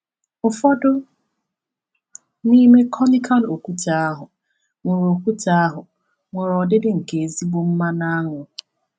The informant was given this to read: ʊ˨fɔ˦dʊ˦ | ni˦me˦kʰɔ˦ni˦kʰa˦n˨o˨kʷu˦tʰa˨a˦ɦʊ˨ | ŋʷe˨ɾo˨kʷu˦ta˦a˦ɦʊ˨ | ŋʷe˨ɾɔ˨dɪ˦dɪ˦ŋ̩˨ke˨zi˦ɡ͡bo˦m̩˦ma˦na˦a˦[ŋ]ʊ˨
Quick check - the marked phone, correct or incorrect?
correct